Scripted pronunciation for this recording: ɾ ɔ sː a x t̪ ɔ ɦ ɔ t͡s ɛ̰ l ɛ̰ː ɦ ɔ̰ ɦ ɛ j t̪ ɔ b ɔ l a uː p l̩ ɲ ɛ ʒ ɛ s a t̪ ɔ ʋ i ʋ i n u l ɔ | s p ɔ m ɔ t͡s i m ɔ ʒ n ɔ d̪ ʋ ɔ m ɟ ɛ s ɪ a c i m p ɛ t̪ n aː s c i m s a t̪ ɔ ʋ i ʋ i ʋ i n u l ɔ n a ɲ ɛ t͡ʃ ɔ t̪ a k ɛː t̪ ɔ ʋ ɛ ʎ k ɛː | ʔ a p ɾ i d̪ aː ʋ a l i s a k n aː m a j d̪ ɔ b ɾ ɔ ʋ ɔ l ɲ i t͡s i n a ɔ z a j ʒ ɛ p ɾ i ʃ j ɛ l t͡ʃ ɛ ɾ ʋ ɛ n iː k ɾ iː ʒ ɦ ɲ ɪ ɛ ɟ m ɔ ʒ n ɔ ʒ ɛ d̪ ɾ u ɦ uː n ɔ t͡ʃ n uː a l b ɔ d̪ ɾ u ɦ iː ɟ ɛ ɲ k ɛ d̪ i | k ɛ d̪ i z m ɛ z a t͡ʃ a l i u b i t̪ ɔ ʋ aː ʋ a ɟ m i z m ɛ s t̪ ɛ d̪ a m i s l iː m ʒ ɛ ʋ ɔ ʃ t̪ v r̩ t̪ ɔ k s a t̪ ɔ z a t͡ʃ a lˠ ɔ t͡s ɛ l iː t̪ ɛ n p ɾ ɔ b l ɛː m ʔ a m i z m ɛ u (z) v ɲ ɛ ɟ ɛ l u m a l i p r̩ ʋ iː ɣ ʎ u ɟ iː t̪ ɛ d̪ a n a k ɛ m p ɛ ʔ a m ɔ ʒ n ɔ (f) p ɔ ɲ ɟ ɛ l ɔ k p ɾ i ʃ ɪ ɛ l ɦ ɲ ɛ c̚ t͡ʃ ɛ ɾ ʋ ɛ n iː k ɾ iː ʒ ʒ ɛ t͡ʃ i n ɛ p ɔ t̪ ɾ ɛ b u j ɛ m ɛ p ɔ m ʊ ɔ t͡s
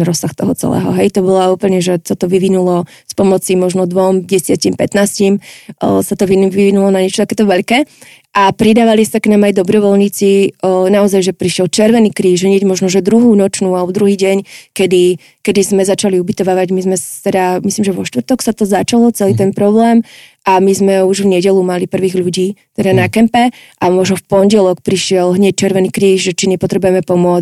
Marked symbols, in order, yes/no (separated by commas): no, yes